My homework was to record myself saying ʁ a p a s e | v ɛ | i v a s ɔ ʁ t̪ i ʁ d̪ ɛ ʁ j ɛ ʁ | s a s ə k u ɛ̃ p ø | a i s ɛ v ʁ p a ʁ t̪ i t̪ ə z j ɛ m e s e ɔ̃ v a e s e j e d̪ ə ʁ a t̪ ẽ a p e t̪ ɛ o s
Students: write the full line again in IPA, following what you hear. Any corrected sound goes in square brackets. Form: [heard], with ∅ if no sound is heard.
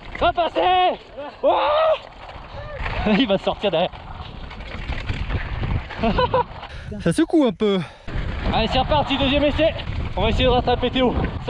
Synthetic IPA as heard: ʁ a p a s e | [w] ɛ | i v a s ɔ ʁ t̪ i ʁ d̪ ɛ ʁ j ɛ ʁ | s a s ə k u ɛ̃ p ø | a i s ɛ [∅] ʁ p a ʁ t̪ i [d̪] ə z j ɛ m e s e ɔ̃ v a e s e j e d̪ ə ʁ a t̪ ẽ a p e t̪ [e] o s